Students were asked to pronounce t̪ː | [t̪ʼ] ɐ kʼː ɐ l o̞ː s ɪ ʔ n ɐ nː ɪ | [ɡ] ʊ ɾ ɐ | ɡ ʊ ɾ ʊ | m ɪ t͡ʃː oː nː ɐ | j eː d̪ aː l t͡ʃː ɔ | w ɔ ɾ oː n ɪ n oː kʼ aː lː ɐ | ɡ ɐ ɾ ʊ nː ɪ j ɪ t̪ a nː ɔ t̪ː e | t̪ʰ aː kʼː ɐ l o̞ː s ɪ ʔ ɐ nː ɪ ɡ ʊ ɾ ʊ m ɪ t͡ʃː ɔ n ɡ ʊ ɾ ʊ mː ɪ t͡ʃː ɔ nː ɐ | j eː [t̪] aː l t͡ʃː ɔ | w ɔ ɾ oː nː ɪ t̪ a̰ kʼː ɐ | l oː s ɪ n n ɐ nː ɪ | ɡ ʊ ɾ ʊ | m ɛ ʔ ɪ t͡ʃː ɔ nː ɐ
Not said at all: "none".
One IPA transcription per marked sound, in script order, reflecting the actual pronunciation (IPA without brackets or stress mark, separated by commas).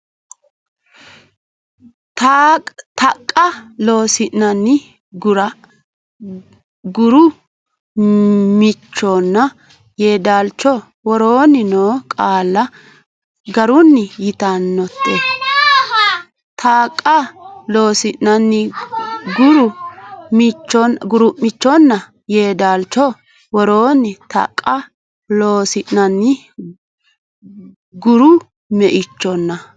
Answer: t̪, ɡ, d̪